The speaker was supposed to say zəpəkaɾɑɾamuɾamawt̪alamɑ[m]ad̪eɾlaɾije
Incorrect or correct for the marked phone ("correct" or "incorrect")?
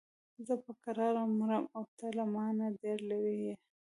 incorrect